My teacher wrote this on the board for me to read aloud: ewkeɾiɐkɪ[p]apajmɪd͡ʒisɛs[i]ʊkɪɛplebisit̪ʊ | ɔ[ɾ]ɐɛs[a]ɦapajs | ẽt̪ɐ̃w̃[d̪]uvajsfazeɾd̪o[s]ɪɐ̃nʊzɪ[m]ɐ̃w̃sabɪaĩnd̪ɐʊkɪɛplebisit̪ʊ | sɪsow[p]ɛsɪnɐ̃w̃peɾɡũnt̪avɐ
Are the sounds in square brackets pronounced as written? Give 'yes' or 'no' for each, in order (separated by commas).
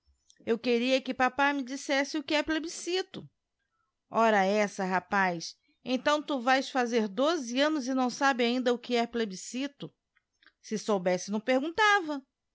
yes, no, yes, no, no, no, no, no